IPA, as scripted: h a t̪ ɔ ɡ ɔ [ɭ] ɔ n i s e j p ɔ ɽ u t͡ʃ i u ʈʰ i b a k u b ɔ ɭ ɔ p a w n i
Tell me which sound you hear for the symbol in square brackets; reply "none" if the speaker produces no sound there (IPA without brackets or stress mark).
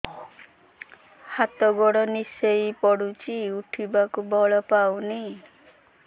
ɽ